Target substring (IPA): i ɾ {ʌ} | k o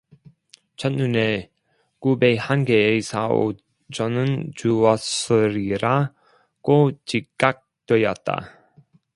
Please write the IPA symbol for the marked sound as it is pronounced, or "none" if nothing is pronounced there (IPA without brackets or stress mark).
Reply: a